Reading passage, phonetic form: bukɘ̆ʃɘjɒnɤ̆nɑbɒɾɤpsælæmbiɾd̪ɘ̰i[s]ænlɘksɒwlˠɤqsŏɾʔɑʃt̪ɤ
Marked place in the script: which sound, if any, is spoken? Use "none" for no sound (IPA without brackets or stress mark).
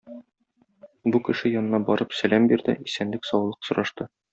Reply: s